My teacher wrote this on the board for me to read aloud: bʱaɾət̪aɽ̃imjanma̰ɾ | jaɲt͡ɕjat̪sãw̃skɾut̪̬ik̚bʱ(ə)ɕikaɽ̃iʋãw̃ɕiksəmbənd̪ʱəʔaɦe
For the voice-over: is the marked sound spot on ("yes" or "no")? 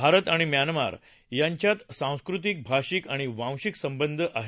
no